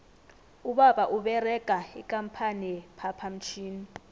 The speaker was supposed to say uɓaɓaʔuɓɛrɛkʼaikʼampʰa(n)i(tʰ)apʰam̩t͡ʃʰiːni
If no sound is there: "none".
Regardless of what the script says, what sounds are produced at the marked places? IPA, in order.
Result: n, pʰ

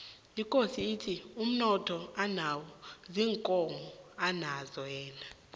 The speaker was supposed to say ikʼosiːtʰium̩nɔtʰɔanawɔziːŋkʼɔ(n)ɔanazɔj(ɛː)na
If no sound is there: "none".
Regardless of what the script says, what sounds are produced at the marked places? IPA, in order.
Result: m, ɛː

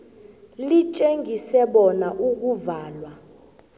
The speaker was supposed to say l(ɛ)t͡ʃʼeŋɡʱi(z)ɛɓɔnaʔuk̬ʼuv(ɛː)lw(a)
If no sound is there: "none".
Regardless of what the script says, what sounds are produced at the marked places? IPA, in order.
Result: i, s, aː, a

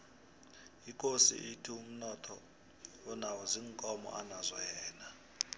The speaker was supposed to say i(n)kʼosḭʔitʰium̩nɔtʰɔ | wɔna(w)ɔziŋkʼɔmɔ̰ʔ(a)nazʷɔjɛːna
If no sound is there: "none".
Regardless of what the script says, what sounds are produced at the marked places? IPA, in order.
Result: none, w, a

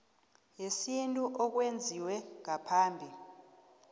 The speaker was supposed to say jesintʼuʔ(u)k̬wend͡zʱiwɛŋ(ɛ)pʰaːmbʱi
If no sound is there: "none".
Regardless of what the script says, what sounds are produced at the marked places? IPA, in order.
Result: ɔ, a

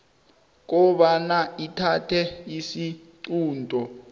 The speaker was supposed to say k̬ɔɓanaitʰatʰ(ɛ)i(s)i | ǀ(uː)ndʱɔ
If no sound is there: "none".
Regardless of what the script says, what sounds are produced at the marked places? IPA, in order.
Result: ɛ, s, uː

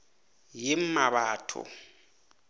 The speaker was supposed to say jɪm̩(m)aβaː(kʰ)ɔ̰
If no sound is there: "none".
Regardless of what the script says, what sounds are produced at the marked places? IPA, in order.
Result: m, tʰ

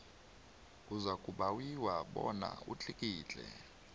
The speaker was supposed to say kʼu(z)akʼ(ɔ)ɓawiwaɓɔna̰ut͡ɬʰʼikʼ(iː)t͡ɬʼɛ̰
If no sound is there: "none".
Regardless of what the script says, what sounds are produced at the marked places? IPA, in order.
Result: z, u, iː

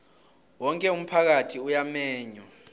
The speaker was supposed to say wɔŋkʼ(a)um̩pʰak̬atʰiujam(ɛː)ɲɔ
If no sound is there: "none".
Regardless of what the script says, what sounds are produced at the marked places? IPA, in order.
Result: ɛ, ɛː

